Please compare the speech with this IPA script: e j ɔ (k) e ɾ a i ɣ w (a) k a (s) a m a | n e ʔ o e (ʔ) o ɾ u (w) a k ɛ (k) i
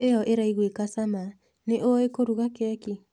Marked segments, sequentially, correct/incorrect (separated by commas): incorrect, incorrect, correct, incorrect, incorrect, correct